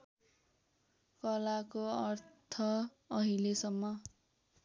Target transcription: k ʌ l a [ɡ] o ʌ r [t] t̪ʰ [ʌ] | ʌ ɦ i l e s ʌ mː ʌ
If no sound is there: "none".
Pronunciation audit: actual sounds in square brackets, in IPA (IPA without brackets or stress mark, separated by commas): k, t, ʌ